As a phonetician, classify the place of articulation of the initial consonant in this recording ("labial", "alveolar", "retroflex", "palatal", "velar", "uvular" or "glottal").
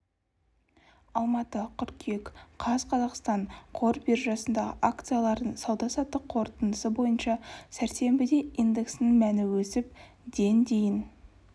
alveolar